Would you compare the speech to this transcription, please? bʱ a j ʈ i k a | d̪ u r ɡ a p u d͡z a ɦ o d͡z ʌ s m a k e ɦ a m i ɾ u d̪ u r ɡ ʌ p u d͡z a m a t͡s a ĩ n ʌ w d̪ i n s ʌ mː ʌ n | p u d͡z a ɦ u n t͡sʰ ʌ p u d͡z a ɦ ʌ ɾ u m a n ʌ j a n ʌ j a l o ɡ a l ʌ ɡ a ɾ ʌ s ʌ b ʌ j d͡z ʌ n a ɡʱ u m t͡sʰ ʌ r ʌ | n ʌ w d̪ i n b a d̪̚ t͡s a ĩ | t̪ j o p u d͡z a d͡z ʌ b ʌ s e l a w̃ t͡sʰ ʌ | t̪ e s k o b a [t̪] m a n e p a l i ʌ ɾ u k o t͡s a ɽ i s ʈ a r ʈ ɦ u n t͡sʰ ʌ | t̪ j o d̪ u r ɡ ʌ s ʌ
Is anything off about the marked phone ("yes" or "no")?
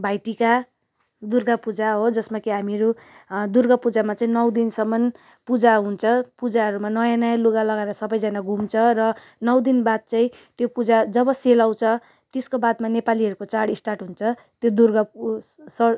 yes